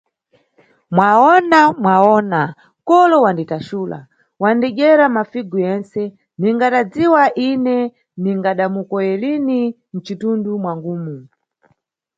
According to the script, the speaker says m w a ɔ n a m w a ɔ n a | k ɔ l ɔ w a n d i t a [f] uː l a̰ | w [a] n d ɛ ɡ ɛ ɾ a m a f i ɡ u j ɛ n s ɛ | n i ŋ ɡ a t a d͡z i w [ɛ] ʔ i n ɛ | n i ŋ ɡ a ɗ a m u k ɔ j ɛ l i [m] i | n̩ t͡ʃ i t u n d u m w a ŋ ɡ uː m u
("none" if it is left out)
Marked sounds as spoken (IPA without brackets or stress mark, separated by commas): ʃ, a, a, n